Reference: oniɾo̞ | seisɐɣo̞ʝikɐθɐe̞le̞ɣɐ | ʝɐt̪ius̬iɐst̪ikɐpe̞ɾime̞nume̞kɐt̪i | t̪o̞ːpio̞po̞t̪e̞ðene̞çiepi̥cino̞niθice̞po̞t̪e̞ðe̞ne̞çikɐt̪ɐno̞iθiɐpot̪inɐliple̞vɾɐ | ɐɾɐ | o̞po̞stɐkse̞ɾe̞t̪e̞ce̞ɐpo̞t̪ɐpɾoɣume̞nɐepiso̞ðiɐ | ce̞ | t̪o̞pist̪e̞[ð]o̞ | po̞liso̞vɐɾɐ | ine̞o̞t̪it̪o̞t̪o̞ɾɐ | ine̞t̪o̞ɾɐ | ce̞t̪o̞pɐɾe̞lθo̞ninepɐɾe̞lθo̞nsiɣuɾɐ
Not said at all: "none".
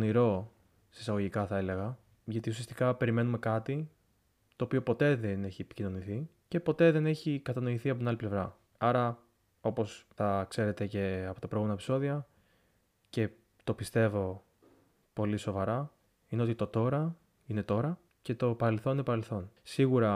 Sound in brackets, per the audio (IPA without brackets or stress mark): v